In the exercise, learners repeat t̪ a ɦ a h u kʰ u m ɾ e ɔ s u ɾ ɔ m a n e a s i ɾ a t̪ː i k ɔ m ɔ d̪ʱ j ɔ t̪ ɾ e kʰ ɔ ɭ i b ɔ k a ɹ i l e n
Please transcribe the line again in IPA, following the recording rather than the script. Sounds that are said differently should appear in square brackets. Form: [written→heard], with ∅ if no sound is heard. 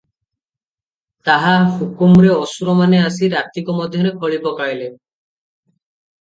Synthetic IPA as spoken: t̪ a ɦ a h u [kʰ→k] u m ɾ e ɔ s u ɾ ɔ m a n e a s i ɾ a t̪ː i k ɔ m ɔ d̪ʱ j ɔ [t̪→∅] ɾ e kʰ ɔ ɭ i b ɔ k a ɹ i l e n